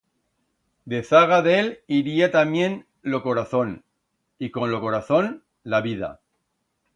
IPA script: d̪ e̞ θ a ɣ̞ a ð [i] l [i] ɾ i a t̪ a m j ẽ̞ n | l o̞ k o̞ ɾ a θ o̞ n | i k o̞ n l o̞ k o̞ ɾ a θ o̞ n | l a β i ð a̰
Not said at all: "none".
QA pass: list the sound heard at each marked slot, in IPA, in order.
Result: e, i

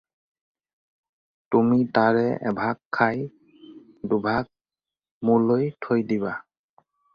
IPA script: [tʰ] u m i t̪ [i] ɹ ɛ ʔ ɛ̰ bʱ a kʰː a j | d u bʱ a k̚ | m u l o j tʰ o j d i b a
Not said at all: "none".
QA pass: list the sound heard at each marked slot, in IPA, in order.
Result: t, a

